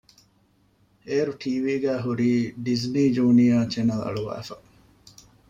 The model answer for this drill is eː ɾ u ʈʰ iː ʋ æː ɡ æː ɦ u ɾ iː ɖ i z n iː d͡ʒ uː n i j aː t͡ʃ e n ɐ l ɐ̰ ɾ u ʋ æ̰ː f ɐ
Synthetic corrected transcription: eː ɾ u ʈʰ iː ʋ iː ɡ æː ɦ u ɾ iː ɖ i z n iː d͡ʒ uː n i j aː t͡ʃ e n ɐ l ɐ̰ ɭ u ʋ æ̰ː f ɐ